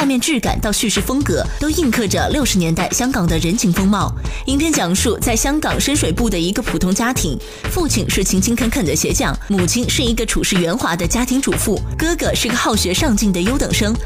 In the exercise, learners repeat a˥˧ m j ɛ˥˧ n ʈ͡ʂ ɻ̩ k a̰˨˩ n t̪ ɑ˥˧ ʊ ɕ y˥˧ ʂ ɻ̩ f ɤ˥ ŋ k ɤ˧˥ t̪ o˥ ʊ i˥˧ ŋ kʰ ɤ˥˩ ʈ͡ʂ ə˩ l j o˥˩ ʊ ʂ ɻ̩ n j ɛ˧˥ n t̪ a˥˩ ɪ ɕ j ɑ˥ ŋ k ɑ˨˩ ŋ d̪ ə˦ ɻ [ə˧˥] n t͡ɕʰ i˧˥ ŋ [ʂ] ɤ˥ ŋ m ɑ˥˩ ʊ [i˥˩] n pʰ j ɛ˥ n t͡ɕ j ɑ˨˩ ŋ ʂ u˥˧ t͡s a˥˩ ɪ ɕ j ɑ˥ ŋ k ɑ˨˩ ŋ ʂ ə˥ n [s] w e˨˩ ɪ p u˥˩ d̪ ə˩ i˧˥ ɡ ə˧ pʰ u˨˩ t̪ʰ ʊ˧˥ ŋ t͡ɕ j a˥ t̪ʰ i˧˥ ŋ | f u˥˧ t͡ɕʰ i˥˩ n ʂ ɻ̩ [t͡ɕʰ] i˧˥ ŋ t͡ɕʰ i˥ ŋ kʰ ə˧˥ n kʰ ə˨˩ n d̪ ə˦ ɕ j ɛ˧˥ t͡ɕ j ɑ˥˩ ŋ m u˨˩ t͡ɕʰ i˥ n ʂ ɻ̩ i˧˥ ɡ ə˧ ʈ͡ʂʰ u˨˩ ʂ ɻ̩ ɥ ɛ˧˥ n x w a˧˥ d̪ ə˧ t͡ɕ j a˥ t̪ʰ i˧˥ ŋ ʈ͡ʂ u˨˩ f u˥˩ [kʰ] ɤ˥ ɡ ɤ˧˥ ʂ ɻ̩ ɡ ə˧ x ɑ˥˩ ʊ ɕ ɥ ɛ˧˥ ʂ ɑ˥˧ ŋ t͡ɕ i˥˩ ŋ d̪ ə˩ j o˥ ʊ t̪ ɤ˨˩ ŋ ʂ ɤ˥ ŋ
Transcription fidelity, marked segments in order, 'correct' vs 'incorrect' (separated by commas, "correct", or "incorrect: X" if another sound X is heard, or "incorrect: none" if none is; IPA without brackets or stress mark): correct, incorrect: f, incorrect: i˧˥, incorrect: ʂ, correct, incorrect: k